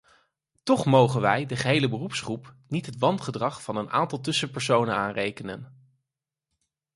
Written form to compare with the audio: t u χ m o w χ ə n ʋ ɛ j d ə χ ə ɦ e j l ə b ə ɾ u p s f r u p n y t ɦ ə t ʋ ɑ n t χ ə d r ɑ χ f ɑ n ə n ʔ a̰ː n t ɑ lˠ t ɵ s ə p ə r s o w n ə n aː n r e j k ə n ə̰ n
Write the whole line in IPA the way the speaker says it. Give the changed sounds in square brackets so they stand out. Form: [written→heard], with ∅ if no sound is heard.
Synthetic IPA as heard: t [u→ɔ] χ m o w χ ə n ʋ ɛ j d ə χ ə ɦ e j l ə b ə [ɾ→r] u p s [f→χ] r u p n [y→i] t ɦ ə t ʋ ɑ n t χ ə d r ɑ χ f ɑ n ə n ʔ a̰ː n t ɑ lˠ t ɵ s ə p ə [r→ɹ] s o w n ə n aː n r e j k ə n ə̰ n